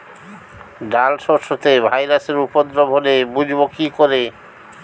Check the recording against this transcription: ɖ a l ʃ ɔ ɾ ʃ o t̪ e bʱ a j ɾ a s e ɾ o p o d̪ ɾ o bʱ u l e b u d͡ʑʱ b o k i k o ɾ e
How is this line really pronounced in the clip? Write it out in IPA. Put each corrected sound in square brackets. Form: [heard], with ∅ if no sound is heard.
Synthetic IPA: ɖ a l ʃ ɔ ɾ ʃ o t̪ e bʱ a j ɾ a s e ɾ [u] p o d̪ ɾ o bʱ [o] l e b u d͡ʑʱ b o k i k o ɾ e